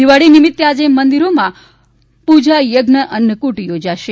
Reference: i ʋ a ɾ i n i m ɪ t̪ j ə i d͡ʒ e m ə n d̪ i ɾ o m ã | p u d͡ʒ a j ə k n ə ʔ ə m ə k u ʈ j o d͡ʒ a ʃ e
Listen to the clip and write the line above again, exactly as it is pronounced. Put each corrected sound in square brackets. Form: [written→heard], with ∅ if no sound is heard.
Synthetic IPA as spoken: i ʋ a [ɾ→ɽ] i n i m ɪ t̪ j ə [i→a] d͡ʒ e m ə n d̪ i ɾ o m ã | p u d͡ʒ a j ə [k→ɡ] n ə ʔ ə [m→n] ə k u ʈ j o d͡ʒ a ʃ e

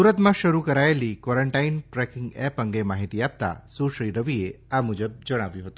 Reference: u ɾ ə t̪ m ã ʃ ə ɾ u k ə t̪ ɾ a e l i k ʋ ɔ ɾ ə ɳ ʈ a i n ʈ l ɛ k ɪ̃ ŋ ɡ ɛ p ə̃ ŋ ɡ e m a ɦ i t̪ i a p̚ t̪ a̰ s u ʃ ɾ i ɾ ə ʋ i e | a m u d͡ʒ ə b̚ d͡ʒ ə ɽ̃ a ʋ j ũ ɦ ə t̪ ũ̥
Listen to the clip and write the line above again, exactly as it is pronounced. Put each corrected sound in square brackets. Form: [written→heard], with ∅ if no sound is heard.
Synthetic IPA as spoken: u ɾ ə t̪ m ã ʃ ə ɾ u k ə [t̪→∅] ɾ a e l i k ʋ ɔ ɾ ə ɳ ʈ a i n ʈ [l→ɾ] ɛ k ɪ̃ ŋ ɡ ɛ p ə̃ ŋ ɡ e m a ɦ i t̪ i a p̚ t̪ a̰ s u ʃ ɾ i ɾ ə ʋ i e | a m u d͡ʒ ə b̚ d͡ʒ ə ɽ̃ a ʋ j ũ ɦ ə t̪ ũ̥

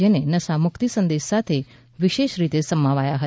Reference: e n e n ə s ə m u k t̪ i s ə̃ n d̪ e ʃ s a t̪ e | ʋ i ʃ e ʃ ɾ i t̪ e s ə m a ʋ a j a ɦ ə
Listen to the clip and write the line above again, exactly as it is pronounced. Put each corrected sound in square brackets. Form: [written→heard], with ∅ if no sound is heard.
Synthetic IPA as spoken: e n e n ə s [ə→a] m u k t̪ i s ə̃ n d̪ e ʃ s a [t̪→t̪ʰ] e | ʋ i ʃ e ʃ ɾ i t̪ e s ə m a ʋ a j a ɦ ə

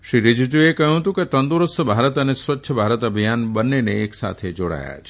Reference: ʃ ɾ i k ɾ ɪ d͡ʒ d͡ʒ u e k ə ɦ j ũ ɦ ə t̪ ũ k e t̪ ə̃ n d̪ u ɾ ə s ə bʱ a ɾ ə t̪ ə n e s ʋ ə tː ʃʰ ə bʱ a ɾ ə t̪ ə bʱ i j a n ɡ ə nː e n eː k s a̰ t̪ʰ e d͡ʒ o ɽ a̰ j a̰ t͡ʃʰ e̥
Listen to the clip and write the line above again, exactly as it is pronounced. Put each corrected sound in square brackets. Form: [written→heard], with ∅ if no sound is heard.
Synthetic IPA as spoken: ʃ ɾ i [k→∅] ɾ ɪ d͡ʒ d͡ʒ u e k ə ɦ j ũ ɦ ə t̪ ũ k e t̪ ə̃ n d̪ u ɾ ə s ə bʱ a ɾ ə t̪ ə n e s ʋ ə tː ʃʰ ə bʱ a ɾ ə t̪ ə bʱ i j a n [ɡ→b] ə nː e n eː k s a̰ t̪ʰ e d͡ʒ o ɽ a̰ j a̰ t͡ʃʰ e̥

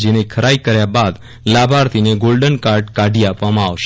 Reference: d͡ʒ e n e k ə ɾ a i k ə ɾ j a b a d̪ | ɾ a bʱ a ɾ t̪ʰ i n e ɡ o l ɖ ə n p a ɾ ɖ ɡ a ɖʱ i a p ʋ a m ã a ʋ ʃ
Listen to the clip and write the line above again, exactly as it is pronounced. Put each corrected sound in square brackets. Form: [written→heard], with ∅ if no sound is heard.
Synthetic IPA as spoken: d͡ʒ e n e [k→kʰ] ə ɾ a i k ə ɾ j a b a d̪ | [ɾ→l] a bʱ a ɾ t̪ʰ i n e ɡ o l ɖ ə n [p→k] a ɾ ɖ [ɡ→k] a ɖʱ i a p ʋ a m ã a ʋ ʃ

